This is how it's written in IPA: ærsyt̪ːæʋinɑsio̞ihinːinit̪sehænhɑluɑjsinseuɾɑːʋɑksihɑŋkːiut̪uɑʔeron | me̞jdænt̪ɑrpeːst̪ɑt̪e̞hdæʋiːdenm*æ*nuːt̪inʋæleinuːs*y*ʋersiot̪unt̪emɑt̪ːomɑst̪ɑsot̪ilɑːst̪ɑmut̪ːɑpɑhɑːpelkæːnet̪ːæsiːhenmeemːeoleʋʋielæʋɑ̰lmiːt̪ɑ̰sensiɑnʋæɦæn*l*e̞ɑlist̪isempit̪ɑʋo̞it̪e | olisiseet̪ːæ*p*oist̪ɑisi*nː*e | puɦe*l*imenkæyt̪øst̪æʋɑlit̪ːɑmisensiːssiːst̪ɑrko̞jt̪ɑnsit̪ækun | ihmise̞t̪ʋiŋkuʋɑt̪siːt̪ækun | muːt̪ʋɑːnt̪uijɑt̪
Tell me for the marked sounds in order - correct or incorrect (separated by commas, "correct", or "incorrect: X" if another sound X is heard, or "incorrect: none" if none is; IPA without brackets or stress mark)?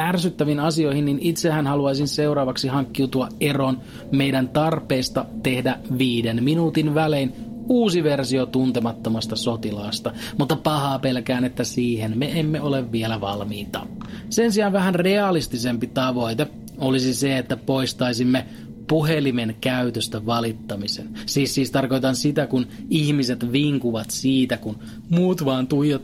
incorrect: i, incorrect: i, incorrect: r, correct, incorrect: mː, correct